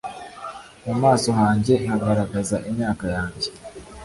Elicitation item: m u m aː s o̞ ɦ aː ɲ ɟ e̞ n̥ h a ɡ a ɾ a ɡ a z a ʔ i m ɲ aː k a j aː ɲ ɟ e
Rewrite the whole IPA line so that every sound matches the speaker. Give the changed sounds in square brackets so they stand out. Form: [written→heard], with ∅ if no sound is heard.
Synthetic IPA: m u m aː s o̞ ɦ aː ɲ ɟ e̞ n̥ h a ɡ a ɾ a ɡ a z a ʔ i m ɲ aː k a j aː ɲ ɟ e